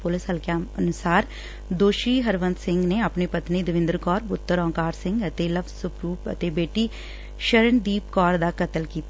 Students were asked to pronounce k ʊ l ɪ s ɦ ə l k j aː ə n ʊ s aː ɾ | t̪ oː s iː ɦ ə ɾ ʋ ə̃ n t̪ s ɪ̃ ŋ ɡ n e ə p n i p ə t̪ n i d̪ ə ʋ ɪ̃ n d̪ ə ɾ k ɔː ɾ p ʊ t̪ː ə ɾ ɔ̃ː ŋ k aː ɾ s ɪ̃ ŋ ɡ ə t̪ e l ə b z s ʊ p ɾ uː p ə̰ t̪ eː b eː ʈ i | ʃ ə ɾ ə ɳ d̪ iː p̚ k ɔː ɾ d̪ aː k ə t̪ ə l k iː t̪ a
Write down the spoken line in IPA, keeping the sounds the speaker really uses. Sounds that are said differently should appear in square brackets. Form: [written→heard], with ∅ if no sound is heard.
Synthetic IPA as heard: [k→p] ʊ l ɪ s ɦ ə l k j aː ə n ʊ s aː ɾ | [t̪→d̪] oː [s→ʃ] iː ɦ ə ɾ ʋ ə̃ n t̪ s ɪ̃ ŋ ɡ n e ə p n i p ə t̪ n i d̪ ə ʋ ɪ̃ n d̪ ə ɾ k ɔː ɾ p ʊ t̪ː ə ɾ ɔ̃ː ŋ k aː ɾ s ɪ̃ ŋ ɡ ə t̪ e l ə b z s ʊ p ɾ uː p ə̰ t̪ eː b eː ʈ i | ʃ ə ɾ ə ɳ d̪ iː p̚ k ɔː ɾ d̪ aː k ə t̪ ə l k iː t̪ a